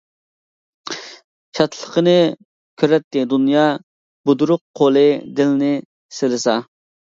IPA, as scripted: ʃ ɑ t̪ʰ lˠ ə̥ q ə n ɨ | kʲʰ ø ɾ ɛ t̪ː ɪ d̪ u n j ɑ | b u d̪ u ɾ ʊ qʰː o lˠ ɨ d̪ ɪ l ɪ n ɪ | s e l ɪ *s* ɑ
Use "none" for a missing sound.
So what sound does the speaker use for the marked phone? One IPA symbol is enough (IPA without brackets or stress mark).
s